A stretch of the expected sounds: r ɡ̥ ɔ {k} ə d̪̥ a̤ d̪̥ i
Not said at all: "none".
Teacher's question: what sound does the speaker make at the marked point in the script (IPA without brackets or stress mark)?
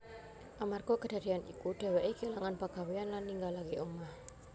k